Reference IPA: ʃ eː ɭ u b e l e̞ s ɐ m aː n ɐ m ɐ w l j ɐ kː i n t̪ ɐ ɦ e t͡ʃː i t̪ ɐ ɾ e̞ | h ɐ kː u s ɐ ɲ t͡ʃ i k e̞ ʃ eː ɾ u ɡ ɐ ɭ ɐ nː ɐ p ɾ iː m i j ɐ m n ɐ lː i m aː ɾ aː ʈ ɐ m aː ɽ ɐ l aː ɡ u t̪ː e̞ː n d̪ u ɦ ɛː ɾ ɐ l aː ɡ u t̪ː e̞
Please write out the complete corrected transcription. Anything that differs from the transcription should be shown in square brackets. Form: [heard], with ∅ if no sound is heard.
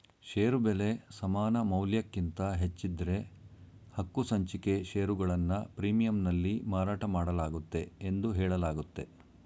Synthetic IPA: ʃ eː [ɾ] u b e l e̞ s ɐ m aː n ɐ m ɐ w l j ɐ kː i n t̪ ɐ ɦ e t͡ʃː i [d̪] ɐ ɾ e̞ | h ɐ kː u s ɐ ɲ t͡ʃ i k e̞ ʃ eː ɾ u ɡ ɐ ɭ ɐ nː ɐ p ɾ iː m i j ɐ m n ɐ lː i m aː ɾ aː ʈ ɐ m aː ɽ ɐ l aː ɡ u t̪ː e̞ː n d̪ u ɦ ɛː [ɭ] ɐ l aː ɡ u t̪ː e̞

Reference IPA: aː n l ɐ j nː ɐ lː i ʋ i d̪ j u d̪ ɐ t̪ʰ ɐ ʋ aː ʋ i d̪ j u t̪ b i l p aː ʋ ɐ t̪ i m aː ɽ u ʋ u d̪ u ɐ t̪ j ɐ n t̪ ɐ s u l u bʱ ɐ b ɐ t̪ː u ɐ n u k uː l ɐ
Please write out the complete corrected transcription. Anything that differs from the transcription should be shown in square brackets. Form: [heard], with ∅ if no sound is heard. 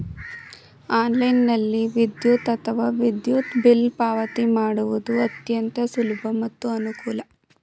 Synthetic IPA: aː n l ɐ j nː ɐ lː i ʋ i d̪ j u [t̪] ɐ t̪ʰ ɐ ʋ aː ʋ i d̪ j u t̪ b i l p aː ʋ ɐ t̪ i m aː ɽ u ʋ u d̪ u ɐ t̪ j ɐ n t̪ ɐ s u l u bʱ ɐ [m] ɐ t̪ː u ɐ n u k uː l ɐ

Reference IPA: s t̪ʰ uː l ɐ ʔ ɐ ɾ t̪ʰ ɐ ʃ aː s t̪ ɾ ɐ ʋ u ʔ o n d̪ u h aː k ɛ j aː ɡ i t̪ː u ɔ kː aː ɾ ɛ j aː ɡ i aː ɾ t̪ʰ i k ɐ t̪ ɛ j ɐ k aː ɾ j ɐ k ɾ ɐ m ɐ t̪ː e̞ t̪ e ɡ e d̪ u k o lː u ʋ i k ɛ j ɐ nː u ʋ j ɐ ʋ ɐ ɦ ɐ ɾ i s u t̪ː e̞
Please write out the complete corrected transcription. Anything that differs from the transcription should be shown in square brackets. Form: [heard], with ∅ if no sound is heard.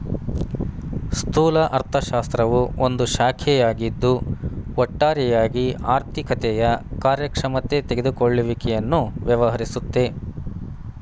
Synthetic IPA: s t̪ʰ uː l ɐ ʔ ɐ ɾ t̪ʰ ɐ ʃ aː s t̪ ɾ ɐ ʋ u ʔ o n d̪ u [ʃ] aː [kʰ] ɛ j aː ɡ i [d̪ː] u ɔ [ʈː] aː ɾ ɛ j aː ɡ i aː ɾ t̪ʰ i k ɐ t̪ ɛ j ɐ k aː ɾ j ɐ k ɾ ɐ m ɐ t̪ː e̞ t̪ e ɡ e d̪ u k o [ɭː] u ʋ i k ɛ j ɐ nː u ʋ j ɐ ʋ ɐ ɦ ɐ ɾ i s u t̪ː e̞

